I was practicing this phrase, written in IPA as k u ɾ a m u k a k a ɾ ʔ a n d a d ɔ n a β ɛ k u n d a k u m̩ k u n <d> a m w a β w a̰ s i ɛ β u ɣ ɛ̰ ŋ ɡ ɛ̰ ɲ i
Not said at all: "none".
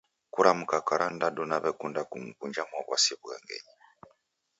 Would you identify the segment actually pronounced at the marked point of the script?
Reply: d͡ʒ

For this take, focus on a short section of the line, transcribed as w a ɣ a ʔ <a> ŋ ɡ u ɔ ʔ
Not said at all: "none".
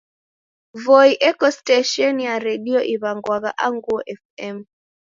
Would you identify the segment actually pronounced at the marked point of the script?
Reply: a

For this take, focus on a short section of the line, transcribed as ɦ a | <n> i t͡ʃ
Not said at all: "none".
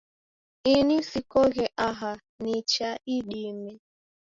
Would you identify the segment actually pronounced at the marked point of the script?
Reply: n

